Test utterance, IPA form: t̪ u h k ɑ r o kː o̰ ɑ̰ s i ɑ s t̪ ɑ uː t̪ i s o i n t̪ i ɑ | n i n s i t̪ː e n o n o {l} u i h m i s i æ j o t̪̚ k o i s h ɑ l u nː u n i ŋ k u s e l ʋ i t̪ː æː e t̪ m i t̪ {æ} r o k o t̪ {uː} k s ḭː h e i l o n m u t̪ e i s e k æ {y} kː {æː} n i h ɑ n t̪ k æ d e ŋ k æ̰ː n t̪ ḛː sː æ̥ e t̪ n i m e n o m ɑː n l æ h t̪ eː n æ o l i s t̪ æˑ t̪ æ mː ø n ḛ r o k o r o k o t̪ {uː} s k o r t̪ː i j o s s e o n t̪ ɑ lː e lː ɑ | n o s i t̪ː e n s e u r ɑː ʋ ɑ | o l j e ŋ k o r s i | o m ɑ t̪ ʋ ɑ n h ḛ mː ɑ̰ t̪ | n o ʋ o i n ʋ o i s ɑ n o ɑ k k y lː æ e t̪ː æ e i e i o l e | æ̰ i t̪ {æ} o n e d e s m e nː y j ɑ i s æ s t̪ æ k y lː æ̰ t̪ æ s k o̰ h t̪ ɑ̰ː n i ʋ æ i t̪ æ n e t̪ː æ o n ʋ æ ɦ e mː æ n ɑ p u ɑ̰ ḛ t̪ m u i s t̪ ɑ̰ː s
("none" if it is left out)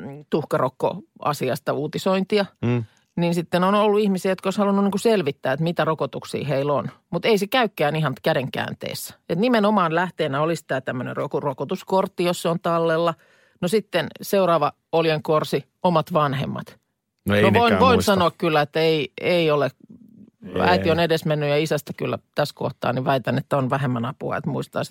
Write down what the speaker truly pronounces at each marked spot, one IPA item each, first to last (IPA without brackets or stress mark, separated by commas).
lː, æ, u, y, æː, u, i